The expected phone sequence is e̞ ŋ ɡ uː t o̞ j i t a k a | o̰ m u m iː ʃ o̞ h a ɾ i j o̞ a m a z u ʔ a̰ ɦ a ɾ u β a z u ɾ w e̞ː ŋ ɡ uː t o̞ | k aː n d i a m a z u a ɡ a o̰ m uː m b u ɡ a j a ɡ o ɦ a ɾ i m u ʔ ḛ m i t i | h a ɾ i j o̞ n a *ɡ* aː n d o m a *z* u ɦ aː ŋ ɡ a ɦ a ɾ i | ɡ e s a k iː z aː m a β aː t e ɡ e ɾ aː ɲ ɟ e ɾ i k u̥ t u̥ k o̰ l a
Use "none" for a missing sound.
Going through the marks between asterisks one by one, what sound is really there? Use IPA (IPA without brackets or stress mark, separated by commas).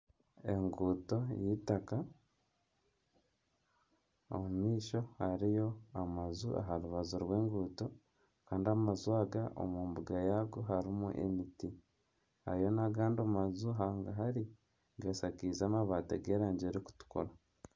ɡ, z